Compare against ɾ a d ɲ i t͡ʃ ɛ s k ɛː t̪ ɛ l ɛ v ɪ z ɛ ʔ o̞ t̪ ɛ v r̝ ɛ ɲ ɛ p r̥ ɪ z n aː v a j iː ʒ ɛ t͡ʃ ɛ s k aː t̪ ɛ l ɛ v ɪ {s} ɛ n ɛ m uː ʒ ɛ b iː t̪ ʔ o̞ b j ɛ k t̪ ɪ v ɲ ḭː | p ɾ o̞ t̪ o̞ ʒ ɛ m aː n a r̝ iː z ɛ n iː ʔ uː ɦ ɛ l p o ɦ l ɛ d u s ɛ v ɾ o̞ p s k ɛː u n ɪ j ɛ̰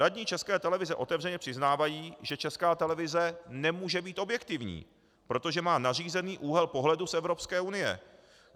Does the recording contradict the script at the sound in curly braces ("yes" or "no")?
yes